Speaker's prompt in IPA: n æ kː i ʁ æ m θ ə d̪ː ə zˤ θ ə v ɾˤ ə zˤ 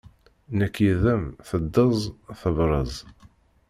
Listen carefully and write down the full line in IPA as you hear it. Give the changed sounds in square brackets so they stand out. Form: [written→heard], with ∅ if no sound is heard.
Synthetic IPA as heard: n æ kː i [ʁ→ð] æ m θ ə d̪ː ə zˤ θ ə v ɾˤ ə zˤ